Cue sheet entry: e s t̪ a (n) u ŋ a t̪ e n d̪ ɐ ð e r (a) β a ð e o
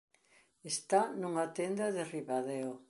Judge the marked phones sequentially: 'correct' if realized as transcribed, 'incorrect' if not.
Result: correct, incorrect: i

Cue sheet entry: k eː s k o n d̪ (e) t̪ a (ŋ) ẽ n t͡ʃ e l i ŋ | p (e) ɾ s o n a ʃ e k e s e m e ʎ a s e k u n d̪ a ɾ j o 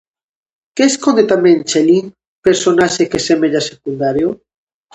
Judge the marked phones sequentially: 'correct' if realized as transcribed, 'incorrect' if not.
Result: correct, incorrect: m, correct

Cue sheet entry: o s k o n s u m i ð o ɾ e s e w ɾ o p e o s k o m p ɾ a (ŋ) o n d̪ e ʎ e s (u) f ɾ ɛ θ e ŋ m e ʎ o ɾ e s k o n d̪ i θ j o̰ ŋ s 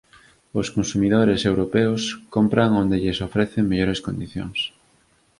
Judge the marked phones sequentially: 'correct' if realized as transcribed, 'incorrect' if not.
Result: correct, incorrect: o

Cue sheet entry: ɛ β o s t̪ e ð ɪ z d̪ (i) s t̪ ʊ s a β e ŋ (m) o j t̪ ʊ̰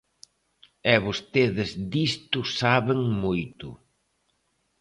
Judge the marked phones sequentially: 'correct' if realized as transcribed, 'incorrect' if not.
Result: correct, correct

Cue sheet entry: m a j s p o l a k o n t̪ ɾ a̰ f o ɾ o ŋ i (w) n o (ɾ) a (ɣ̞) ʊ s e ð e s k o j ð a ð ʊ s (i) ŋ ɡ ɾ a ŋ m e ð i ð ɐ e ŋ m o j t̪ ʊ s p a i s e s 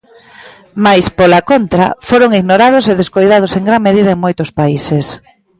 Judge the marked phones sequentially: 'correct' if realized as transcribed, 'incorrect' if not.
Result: incorrect: ɣ, correct, incorrect: ð̞, incorrect: e

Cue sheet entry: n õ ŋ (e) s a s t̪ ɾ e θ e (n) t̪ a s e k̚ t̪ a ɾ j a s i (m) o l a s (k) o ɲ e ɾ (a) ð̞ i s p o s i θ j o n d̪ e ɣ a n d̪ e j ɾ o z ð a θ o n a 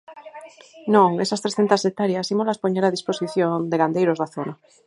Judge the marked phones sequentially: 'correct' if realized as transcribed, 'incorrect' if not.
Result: correct, correct, correct, incorrect: p, correct

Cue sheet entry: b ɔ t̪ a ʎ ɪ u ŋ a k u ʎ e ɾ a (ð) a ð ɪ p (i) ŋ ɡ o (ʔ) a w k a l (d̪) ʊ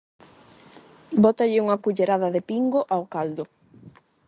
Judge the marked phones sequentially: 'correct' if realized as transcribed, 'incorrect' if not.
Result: correct, correct, correct, correct

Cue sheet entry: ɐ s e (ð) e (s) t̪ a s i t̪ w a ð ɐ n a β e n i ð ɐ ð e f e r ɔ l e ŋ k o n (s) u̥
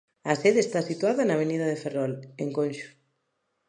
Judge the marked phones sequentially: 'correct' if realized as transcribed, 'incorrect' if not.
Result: correct, correct, incorrect: ʃ

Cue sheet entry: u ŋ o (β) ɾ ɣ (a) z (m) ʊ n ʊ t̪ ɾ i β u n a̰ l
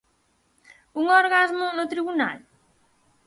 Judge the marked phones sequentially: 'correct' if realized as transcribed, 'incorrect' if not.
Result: incorrect: none, correct, correct

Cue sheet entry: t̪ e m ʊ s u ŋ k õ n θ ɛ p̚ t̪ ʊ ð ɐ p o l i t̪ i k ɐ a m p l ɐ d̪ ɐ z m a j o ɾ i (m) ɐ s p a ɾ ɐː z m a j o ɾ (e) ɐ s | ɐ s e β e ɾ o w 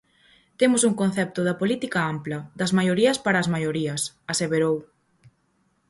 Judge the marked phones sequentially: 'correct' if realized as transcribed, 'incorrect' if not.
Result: incorrect: none, incorrect: i

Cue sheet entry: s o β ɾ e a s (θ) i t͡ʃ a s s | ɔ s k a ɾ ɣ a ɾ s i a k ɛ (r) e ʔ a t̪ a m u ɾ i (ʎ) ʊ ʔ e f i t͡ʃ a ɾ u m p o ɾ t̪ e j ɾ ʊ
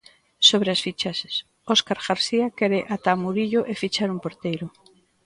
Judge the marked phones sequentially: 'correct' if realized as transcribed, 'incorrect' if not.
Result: incorrect: f, incorrect: ɾ, correct

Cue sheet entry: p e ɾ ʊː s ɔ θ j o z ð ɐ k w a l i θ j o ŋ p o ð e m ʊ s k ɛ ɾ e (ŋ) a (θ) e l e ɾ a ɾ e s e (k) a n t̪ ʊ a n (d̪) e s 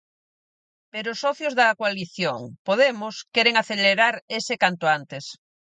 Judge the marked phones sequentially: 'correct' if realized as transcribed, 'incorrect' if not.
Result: correct, correct, correct, incorrect: t̪

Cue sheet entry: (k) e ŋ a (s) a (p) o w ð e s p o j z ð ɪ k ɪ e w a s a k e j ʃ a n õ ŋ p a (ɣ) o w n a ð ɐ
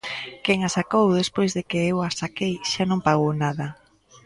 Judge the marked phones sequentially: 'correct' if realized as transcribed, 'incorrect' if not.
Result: correct, correct, incorrect: k, correct

